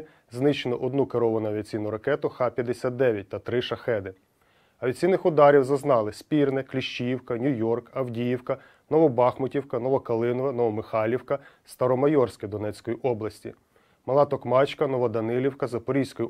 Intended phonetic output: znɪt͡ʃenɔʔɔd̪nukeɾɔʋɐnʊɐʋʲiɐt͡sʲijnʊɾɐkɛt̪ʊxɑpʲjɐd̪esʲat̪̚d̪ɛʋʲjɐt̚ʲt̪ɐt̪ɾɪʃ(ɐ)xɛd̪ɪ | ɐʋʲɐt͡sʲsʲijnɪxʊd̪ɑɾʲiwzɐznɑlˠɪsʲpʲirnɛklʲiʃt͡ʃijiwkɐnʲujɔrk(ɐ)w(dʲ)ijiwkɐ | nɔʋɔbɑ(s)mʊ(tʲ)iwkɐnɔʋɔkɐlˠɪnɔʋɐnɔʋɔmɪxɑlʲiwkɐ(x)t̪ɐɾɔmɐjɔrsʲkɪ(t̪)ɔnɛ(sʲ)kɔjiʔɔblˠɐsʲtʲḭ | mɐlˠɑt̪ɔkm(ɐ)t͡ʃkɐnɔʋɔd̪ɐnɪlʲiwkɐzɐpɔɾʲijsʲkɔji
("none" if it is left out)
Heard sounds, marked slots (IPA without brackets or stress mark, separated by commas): ɐ, ɐ, dʲ, x, tʲ, s, d̪, t͡sʲ, ɑ